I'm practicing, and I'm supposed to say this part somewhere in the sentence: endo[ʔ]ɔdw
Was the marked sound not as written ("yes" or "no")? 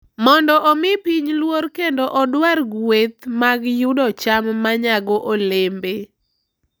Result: no